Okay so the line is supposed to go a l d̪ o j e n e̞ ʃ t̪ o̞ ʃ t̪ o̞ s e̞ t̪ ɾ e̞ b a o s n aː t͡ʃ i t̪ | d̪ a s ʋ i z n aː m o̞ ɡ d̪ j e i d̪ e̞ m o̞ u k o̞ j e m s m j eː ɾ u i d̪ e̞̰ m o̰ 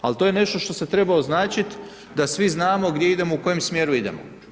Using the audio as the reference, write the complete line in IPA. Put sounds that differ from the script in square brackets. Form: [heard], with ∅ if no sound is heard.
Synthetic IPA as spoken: a l [t̪] o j e n e̞ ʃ t̪ o̞ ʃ t̪ o̞ s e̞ t̪ ɾ e̞ b a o [z] n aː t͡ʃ i t̪ | d̪ a s ʋ i z n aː m o̞ ɡ d̪ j e i d̪ e̞ m o̞ u k o̞ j e m s m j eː ɾ u i d̪ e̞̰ m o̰